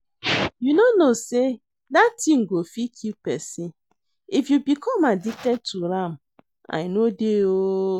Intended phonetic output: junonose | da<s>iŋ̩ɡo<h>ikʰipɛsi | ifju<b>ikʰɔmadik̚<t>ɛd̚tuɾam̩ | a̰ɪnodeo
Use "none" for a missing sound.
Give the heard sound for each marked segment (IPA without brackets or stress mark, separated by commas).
t, f, b, t